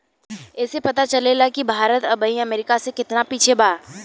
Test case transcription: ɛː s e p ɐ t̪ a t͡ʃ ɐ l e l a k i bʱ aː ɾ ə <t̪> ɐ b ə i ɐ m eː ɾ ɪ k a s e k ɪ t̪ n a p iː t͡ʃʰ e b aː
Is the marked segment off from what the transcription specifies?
no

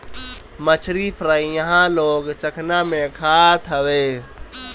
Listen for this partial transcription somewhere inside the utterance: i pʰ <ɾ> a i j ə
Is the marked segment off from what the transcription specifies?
no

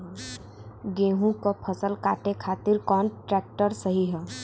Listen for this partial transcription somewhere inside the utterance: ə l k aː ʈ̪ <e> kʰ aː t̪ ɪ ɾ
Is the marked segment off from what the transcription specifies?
no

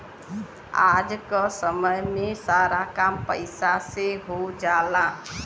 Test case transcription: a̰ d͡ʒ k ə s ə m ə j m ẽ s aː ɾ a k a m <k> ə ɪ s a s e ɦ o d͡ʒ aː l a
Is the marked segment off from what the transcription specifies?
yes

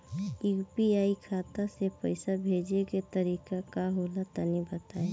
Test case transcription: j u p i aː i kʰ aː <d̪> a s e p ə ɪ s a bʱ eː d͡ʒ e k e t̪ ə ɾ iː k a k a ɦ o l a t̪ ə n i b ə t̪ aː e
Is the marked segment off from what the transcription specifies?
yes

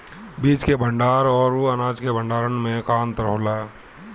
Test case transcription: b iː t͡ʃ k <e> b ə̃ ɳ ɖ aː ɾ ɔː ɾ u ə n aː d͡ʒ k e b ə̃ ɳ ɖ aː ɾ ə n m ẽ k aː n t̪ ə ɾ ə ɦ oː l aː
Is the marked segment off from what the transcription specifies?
no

